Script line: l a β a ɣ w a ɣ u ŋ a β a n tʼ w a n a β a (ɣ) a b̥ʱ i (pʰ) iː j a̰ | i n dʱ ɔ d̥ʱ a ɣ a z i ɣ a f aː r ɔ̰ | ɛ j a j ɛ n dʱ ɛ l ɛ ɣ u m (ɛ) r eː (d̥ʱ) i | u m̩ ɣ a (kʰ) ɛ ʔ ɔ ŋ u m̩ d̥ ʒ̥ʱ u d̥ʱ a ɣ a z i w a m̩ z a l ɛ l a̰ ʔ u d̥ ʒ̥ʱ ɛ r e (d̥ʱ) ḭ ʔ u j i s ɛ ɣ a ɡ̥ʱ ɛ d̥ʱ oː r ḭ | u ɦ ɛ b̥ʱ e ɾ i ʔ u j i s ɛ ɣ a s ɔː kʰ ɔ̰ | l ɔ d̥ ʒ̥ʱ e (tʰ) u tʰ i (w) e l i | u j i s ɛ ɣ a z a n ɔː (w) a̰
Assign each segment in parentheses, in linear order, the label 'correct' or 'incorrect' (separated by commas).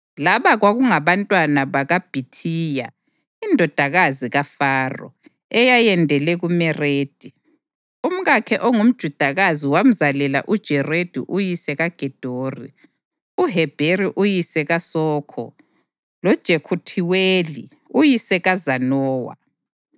correct, incorrect, correct, correct, correct, correct, incorrect, correct, correct